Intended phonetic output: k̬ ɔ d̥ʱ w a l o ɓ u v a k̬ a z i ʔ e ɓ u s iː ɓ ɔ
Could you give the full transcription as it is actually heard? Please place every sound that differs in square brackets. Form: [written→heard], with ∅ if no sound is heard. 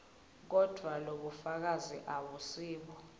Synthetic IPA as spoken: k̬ ɔ d̥ʱ w a l o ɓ u [v→f] a k̬ a z i ʔ [e→a] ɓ u s iː ɓ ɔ